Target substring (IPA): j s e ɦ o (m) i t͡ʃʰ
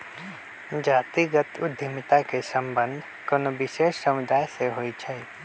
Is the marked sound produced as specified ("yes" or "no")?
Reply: no